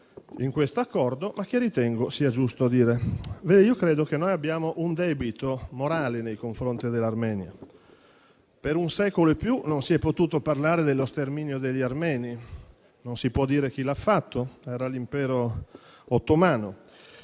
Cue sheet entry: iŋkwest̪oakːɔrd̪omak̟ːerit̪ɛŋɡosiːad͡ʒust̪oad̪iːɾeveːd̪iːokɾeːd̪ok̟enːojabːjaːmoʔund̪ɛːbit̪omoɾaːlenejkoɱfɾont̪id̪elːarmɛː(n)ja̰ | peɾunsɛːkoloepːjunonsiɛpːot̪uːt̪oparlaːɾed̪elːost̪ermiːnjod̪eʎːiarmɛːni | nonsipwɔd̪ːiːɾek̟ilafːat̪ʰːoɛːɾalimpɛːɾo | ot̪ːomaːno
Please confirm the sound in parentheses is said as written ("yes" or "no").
yes